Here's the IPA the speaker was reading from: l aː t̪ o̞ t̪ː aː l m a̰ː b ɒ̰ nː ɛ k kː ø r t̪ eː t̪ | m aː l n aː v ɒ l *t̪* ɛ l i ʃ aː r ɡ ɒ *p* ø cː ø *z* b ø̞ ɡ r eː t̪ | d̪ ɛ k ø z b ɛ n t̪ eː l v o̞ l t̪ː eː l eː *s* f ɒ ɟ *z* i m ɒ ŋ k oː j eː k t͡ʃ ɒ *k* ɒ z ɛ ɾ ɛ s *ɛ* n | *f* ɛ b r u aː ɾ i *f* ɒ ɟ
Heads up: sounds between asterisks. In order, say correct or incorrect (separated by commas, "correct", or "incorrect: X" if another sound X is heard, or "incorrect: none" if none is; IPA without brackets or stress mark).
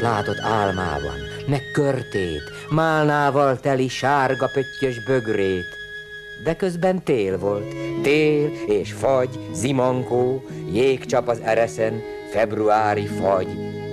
correct, correct, incorrect: ʒ, incorrect: ʃ, correct, incorrect: p, correct, correct, correct